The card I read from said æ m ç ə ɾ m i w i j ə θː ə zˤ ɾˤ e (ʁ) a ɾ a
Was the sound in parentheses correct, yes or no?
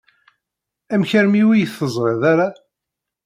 no